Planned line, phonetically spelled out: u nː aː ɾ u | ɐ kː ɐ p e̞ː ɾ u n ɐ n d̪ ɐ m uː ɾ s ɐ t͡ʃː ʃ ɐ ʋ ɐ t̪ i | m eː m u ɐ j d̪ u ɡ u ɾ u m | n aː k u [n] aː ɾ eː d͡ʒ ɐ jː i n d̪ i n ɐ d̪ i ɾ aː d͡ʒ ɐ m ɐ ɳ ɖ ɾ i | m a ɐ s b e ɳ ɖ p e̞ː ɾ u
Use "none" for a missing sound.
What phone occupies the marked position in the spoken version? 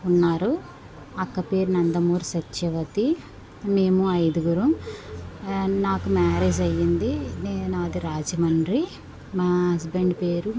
m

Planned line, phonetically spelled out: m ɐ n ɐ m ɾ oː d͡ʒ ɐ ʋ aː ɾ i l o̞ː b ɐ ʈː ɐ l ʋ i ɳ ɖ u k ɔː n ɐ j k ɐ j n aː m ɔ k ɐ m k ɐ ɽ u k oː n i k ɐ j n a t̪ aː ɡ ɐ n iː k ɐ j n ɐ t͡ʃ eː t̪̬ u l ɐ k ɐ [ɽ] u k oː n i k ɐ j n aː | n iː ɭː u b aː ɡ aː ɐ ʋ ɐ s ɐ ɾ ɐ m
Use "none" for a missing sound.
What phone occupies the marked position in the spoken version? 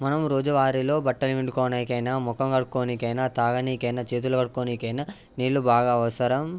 ɽ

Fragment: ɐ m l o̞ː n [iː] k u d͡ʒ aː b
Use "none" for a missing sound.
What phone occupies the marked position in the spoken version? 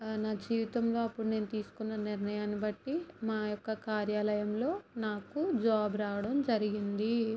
aː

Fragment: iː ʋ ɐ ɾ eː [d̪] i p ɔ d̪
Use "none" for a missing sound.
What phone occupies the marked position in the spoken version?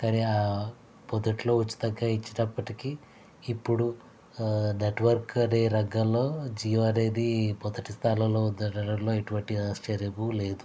d̪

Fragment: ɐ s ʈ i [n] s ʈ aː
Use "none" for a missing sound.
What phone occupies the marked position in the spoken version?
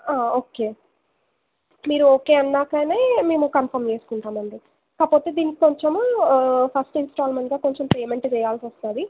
n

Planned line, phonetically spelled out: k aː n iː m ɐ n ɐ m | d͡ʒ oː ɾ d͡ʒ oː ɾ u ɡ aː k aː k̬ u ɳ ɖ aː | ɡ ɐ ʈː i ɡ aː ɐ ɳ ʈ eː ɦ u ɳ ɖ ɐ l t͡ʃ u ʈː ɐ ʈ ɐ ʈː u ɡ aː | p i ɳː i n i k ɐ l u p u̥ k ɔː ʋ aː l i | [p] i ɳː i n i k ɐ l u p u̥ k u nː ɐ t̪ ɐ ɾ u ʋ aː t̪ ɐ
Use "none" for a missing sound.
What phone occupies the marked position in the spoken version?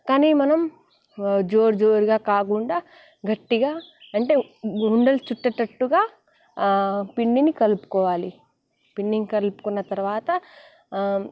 p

